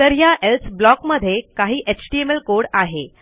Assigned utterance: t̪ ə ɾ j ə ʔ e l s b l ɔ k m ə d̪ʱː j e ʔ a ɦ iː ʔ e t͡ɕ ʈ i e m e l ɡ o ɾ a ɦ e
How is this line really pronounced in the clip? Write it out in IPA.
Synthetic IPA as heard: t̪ ə ɾ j a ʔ e l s b l ɔ k m ə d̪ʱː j e k a ɦ iː ʔ e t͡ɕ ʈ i e m e l k o ɽ a ɦ e